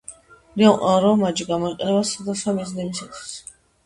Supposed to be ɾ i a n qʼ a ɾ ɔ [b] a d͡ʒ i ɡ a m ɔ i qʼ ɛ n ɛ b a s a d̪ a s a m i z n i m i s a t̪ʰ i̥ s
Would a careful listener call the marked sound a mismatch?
yes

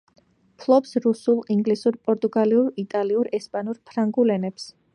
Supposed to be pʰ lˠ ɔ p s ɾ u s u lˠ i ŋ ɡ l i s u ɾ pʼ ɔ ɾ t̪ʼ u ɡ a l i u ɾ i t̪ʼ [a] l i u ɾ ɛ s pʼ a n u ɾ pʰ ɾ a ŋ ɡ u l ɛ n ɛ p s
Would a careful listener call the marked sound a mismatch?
no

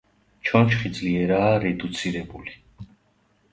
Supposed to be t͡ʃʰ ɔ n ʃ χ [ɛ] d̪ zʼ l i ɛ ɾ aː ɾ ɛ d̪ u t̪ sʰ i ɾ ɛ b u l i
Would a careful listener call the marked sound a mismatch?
yes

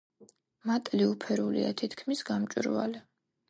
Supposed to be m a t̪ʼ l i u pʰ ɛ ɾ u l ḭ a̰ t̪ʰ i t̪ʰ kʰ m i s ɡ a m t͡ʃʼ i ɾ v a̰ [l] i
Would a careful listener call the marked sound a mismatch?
no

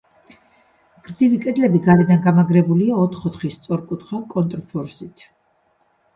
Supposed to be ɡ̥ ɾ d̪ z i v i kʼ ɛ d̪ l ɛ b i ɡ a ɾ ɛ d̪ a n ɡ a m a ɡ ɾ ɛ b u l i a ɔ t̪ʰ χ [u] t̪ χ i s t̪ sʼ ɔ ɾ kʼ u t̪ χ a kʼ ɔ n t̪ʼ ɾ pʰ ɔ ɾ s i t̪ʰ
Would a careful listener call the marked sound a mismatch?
yes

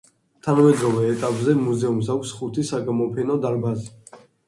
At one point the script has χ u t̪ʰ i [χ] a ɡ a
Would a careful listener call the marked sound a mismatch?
yes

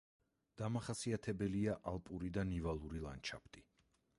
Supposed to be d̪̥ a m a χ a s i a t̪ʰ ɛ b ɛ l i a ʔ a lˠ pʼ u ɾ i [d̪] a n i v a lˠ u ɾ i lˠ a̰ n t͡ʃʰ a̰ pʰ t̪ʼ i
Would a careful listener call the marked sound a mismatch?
no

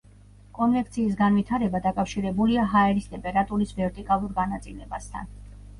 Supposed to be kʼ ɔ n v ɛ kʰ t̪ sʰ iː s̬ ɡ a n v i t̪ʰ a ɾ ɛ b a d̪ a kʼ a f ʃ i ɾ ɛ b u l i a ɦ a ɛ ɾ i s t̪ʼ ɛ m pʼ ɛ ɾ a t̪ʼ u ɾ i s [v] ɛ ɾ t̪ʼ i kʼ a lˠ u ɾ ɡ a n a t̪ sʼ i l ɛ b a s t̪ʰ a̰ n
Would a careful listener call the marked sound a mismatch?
no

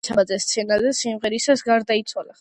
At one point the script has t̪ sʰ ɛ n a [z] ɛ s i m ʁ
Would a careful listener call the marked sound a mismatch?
no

